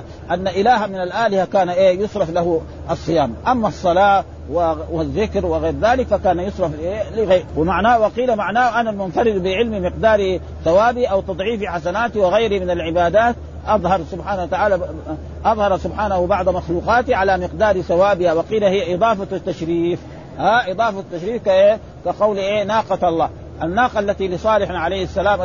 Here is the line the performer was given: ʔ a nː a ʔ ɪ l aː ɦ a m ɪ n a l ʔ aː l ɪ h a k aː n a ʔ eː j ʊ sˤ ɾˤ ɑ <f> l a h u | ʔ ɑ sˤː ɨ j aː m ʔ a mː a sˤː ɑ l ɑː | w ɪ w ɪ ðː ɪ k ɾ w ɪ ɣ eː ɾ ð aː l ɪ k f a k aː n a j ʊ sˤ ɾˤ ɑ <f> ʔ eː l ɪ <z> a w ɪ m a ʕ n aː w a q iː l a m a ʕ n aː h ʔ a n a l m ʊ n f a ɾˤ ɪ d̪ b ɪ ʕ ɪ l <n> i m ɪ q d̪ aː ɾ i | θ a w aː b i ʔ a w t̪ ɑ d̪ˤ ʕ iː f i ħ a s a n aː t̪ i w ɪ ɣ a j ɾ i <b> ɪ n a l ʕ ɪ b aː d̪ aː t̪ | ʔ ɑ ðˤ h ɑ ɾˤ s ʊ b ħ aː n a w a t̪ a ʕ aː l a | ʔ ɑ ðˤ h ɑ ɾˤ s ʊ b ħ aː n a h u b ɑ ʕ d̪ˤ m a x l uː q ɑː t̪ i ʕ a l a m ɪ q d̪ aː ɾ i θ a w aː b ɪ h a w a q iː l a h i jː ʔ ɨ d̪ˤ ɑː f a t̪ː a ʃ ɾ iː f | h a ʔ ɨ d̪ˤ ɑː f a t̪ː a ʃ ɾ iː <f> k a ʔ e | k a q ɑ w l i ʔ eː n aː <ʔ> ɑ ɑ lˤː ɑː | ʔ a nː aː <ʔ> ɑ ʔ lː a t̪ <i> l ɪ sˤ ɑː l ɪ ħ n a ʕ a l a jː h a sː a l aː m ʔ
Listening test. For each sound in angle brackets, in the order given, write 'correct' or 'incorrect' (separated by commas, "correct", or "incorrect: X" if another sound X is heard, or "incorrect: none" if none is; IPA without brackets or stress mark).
correct, correct, incorrect: ɣ, incorrect: m, incorrect: m, correct, incorrect: q, incorrect: q, correct